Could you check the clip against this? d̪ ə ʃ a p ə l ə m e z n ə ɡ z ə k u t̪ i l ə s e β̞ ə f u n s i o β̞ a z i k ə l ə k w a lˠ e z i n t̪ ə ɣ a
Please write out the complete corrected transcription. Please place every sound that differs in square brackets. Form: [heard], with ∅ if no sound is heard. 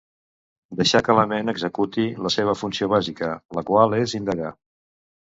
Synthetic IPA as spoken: d̪ ə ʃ a [k] ə l ə m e [∅] n ə ɡ z ə k u t̪ i l ə s e β̞ ə f u n s i o β̞ a z i k ə l ə k w a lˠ e z i n [d̪] ə ɣ a